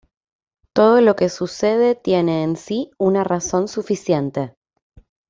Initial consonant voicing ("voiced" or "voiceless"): voiceless